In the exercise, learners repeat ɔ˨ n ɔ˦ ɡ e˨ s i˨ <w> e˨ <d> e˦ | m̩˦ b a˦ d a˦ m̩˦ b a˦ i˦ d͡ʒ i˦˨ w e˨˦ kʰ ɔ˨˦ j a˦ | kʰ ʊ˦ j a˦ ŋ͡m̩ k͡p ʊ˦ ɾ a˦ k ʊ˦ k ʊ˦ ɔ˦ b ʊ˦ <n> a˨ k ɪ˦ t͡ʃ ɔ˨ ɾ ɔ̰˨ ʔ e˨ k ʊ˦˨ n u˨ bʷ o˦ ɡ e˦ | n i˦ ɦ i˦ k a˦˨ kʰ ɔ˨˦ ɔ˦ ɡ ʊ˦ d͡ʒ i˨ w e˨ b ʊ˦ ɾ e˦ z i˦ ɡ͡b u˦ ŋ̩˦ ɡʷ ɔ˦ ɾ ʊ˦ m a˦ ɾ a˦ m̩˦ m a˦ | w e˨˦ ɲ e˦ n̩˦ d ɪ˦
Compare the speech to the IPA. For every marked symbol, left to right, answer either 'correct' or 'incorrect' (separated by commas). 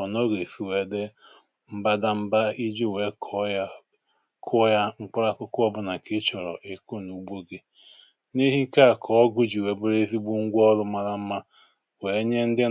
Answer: correct, correct, correct